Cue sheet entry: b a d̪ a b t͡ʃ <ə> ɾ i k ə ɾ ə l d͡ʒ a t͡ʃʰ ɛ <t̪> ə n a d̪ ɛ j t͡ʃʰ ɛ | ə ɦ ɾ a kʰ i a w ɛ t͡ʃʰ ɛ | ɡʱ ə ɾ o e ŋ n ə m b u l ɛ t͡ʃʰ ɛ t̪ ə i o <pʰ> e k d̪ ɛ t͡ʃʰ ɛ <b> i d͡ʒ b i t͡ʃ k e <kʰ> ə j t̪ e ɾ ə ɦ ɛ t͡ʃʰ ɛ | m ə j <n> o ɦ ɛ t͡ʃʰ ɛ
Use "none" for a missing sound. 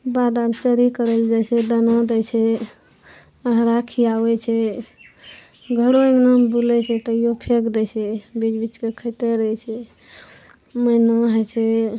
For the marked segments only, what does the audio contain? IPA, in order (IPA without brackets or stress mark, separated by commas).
ə, d̪, pʰ, b, kʰ, n